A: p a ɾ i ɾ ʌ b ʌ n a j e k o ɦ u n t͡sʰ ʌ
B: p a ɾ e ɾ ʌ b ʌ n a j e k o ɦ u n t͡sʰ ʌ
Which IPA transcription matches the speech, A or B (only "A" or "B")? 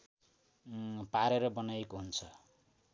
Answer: B